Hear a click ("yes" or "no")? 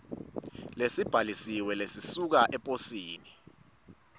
no